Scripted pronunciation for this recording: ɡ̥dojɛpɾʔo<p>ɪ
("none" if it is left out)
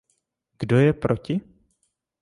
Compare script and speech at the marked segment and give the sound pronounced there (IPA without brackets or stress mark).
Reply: c